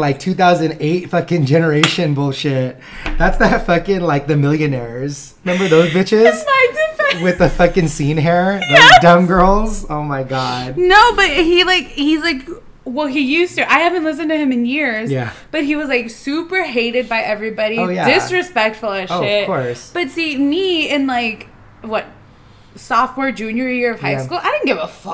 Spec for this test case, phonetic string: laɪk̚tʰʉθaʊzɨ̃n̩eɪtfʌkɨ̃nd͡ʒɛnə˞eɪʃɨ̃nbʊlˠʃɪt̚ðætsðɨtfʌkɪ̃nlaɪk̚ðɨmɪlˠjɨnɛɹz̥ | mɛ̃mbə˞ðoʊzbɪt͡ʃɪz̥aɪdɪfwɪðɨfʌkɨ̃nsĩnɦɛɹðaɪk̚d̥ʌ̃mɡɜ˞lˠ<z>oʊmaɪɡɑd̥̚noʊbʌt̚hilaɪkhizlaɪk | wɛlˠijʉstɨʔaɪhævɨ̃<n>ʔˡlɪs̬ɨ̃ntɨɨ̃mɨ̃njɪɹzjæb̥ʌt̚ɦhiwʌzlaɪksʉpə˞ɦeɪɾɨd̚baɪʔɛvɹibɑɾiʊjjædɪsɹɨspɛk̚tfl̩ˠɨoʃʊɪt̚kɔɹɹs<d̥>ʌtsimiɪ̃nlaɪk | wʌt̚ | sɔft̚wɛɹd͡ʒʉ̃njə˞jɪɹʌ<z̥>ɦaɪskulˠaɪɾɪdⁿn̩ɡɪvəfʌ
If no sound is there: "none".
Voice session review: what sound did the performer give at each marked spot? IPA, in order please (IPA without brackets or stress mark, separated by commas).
z, n, b̥, v̥